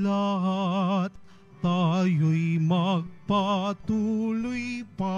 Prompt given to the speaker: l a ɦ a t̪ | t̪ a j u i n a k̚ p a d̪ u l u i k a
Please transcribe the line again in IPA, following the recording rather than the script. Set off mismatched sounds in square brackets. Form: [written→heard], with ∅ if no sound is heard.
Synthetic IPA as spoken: l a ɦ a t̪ | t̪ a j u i [n→m] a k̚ p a [d̪→t̪] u l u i [k→p] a